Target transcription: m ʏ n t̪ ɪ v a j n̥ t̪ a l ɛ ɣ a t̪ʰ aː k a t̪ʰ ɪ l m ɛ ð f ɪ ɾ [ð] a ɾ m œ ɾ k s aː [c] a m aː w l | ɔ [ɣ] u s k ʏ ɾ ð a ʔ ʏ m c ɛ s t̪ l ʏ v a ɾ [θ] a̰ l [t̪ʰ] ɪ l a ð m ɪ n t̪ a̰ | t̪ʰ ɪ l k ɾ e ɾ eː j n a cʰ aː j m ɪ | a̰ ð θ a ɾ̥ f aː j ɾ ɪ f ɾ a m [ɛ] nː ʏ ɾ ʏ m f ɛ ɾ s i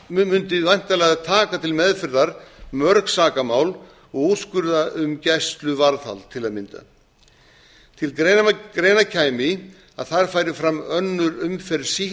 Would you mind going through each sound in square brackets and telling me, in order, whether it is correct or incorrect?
correct, incorrect, correct, correct, correct, incorrect

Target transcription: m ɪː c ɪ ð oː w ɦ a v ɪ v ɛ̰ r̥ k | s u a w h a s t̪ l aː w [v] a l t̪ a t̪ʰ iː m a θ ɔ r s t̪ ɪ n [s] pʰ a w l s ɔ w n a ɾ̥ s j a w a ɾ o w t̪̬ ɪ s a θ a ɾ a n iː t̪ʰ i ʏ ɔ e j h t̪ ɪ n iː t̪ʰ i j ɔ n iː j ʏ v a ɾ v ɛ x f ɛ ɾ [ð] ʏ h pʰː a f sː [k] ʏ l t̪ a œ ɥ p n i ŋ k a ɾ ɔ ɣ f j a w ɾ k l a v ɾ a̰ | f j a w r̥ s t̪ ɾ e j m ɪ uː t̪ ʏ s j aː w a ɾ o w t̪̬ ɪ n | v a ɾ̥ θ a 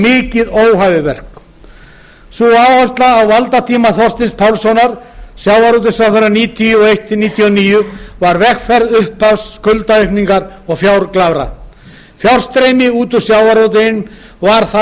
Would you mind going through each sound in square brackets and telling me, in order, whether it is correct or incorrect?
correct, correct, correct, correct

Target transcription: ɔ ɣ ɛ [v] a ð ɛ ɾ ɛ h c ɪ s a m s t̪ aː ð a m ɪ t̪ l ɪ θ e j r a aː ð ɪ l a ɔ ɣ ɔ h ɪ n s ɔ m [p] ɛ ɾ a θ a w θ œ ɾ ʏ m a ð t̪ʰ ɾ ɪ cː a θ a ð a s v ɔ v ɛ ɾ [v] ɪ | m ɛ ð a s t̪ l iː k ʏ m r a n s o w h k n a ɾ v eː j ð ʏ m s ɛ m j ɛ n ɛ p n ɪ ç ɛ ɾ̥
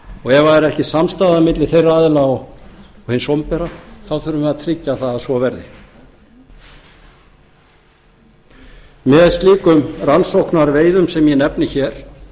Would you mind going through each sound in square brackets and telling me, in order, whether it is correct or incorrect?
correct, correct, incorrect

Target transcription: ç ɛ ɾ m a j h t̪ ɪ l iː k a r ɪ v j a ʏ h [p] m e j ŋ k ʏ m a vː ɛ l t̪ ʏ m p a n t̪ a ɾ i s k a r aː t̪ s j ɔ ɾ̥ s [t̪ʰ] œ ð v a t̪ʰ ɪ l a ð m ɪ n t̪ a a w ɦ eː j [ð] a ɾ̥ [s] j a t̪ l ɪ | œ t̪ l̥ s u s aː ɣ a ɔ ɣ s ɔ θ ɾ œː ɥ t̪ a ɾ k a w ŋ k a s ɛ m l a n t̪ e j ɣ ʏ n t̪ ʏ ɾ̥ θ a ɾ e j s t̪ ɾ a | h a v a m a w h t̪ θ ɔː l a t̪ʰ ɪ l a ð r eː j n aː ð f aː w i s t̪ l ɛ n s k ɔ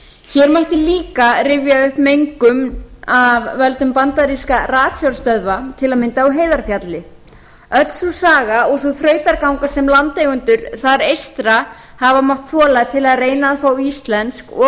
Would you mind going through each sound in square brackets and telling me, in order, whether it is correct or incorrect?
correct, incorrect, correct, incorrect

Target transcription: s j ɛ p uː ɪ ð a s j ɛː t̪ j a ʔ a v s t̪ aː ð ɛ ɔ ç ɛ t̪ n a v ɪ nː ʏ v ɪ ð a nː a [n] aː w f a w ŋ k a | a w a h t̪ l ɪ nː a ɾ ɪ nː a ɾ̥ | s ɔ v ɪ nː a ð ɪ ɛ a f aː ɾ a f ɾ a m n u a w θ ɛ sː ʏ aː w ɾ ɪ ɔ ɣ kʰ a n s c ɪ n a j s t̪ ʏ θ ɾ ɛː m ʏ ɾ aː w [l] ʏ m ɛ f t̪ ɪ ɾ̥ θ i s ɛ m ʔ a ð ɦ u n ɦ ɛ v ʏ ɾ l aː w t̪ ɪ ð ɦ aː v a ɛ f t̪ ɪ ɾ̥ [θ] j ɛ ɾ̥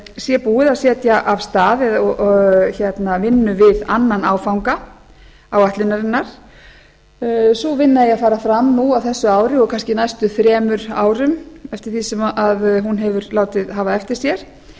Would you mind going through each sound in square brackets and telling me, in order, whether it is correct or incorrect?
correct, incorrect, incorrect

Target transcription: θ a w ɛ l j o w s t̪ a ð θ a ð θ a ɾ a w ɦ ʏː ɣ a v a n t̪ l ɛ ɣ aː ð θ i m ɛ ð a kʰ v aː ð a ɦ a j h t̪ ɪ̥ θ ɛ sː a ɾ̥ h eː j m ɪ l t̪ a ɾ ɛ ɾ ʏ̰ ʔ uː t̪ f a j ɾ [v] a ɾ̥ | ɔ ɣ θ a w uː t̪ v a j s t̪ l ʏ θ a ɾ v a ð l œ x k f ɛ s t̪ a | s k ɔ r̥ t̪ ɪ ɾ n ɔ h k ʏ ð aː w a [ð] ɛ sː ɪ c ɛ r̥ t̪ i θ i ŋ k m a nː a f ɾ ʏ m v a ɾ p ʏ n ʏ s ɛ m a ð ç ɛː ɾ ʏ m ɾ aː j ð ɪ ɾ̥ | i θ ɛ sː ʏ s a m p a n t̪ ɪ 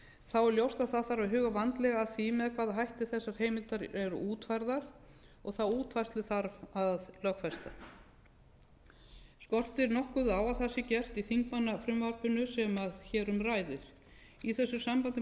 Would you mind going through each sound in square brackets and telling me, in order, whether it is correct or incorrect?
incorrect, incorrect

